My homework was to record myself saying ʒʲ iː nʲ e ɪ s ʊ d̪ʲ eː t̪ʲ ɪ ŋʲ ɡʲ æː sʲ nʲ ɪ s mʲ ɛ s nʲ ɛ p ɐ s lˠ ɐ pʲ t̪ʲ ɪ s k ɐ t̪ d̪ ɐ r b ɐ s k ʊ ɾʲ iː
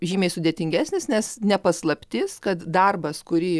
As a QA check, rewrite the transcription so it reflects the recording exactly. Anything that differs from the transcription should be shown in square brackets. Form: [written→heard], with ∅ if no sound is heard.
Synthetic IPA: ʒʲ iː [nʲ→mʲ] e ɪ s ʊ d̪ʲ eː t̪ʲ ɪ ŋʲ ɡʲ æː sʲ nʲ ɪ s [mʲ→nʲ] ɛ s nʲ ɛ p ɐ s lˠ ɐ pʲ t̪ʲ ɪ s k ɐ t̪ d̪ ɐ r b ɐ s k ʊ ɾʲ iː